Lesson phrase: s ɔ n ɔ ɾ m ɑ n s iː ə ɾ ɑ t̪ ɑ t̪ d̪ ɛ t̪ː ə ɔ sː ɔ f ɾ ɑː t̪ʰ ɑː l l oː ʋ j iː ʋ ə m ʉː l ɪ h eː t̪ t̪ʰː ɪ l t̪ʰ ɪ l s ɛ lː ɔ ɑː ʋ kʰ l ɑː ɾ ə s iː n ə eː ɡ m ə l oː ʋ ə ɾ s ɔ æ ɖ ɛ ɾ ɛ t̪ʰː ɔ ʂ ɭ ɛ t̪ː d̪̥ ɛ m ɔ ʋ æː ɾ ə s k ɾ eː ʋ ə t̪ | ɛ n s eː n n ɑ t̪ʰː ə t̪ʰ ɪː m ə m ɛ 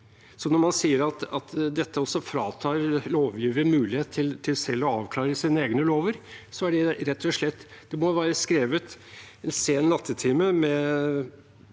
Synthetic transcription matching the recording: s ɔ n ɔ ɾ m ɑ n s iː ə ɾ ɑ t̪ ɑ t̪ d̪ ɛ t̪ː ə ɔ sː ɔ f ɾ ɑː t̪ʰ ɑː ɾ l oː ʋ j iː ʋ ə m ʉː l ɪ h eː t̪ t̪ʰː ɪ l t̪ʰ ɪ l s ɛ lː ɔ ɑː ʋ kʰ l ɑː ɾ ə s iː n ə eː ɡ n ə l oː ʋ ə ɾ s ɔ æ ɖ ɛ ɾ ɛ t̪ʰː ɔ ʂ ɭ ɛ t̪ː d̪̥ ɛ m ɔ ʋ æː ɾ ə s k ɾ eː ʋ ə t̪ | ɛ n s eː n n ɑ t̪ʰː ə t̪ʰ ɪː m ə m ɛ